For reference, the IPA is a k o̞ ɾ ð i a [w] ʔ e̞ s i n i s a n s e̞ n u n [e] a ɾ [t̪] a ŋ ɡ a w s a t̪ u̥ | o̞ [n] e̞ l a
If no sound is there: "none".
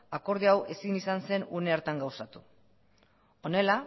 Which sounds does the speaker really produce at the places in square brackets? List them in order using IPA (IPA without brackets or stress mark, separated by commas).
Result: w, e, t̪, n